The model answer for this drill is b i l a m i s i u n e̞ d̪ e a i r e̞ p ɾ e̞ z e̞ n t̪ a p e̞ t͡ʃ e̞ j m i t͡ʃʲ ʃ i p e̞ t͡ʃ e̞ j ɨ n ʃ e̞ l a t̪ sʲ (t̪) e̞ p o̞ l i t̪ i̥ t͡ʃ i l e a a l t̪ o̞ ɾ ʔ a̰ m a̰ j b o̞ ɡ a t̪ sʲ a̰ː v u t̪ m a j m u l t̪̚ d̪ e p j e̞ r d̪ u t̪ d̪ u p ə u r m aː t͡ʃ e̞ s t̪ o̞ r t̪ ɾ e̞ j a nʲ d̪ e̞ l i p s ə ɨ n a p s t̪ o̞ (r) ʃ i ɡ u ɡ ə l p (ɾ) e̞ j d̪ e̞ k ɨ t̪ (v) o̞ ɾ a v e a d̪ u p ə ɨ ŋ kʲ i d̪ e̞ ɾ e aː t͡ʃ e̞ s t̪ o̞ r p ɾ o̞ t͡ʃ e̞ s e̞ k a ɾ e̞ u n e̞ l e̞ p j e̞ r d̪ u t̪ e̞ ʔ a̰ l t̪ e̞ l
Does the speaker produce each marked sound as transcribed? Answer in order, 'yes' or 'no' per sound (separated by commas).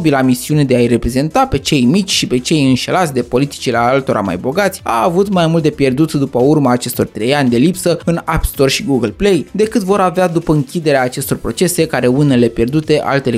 no, yes, no, yes